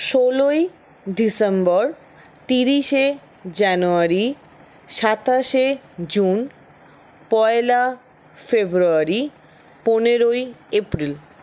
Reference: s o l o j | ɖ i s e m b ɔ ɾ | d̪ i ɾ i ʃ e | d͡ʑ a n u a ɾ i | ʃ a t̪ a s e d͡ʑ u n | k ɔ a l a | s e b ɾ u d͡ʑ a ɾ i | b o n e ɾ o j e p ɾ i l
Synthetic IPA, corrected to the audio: ʃ o l o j | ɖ i s e m b ɔ ɾ | t̪ i ɾ i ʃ e | d͡ʑ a n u a ɾ i | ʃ a t̪ a ʃ e d͡ʑ u n | p ɔ e l a | f e b ɾ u a ɾ i | p o n e ɾ o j e p ɾ i l